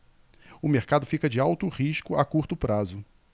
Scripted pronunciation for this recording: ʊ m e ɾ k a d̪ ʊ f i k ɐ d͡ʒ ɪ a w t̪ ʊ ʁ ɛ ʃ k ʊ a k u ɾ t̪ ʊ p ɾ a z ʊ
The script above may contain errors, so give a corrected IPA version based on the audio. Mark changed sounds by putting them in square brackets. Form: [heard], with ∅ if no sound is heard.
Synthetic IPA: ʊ m e ɾ k a d̪ ʊ f i k ɐ d͡ʒ ɪ a w t̪ ʊ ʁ [i] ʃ k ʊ a k u ɾ t̪ ʊ p ɾ a z ʊ